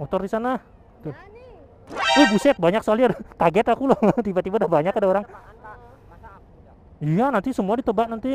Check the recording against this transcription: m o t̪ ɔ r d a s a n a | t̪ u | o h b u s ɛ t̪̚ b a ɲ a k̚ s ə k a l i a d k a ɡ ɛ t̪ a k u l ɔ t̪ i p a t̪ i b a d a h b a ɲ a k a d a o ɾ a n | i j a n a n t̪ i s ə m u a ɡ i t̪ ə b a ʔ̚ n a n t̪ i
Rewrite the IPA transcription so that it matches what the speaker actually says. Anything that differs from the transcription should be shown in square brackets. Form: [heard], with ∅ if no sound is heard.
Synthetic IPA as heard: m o t̪ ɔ r d [i] s a n a | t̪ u | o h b u s ɛ t̪̚ b a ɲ a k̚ s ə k a l i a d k a ɡ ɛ t̪ a k u l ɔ t̪ i [b] a t̪ i b a d a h b a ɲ a k a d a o ɾ a [ŋ] | i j a n a n t̪ i s ə m u a [d] i t̪ ə b a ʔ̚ n a n t̪ i

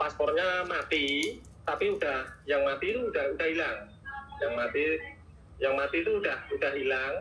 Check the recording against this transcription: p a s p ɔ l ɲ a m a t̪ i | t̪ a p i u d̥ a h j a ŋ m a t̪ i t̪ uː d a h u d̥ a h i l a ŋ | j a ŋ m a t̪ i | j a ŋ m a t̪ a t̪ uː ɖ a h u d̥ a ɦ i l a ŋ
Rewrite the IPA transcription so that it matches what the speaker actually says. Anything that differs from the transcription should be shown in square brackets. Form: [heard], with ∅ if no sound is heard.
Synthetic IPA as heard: p a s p ɔ [r] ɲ a m a t̪ i | t̪ a p i u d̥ a h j a ŋ m a t̪ i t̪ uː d a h u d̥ a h i l a ŋ | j a ŋ m a t̪ i | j a ŋ m a t̪ [i] t̪ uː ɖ a h u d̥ a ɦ i l a ŋ

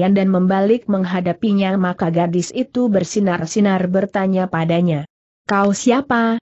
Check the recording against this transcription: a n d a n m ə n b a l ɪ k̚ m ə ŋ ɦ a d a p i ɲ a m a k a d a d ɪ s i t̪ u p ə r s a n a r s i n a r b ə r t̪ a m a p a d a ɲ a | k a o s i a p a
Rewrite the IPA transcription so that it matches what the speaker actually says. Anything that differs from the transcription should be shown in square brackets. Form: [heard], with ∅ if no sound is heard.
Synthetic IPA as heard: a n d a n m ə [m] b a l ɪ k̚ m ə ŋ ɦ a d a p i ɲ a m a k a [ɡ] a d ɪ s i t̪ u [b] ə r s [i] n a r s i n a r b ə r t̪ a [ɲ] a p a d a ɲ a | k a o s i a p a

